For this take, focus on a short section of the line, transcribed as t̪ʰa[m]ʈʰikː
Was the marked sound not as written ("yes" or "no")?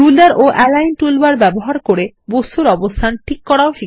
yes